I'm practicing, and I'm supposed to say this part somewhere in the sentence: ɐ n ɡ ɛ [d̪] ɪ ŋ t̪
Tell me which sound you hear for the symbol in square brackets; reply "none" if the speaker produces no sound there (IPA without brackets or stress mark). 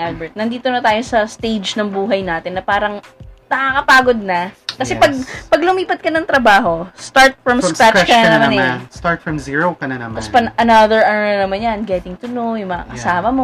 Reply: t̪